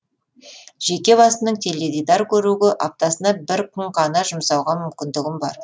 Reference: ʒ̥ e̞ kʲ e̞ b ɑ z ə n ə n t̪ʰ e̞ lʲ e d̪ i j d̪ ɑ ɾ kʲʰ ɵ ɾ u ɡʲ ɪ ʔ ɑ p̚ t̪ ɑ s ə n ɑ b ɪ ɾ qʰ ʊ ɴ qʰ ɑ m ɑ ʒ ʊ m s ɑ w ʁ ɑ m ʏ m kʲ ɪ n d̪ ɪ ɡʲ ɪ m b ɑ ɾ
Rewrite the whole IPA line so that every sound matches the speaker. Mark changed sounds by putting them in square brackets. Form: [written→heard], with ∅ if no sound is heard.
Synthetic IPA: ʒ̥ e̞ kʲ e̞ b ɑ [z→s] ə n ə [n→ɴ] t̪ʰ e̞ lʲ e d̪ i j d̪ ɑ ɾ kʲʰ ɵ ɾ u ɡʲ ɪ ʔ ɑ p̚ t̪ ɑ s ə n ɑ b ɪ ɾ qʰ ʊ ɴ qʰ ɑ [m→n] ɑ ʒ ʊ m s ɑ w ʁ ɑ m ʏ m kʲ ɪ n d̪ ɪ ɡʲ ɪ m b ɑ ɾ